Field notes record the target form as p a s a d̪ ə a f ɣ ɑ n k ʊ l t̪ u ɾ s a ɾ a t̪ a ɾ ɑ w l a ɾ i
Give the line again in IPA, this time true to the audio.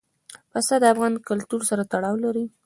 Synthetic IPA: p a s a d̪ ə a f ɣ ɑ n k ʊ l t̪ u ɾ s a ɾ a t̪ a ɽ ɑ w l a ɾ i